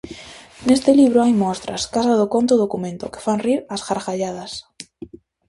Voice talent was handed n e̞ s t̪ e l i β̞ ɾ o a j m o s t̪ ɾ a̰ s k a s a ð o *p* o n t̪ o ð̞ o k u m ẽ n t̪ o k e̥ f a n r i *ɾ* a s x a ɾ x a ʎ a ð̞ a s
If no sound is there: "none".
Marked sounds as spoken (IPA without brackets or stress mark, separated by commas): k, ɾ